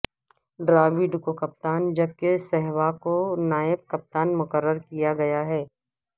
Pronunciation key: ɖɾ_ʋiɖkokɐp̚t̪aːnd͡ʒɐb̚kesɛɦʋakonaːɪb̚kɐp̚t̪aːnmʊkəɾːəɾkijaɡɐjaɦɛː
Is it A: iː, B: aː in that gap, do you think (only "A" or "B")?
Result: B